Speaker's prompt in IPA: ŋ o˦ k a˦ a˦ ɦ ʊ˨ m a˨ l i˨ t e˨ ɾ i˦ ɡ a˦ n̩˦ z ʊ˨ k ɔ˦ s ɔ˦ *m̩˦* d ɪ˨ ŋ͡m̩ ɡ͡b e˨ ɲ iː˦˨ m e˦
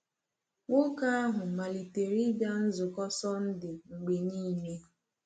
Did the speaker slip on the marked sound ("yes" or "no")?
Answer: yes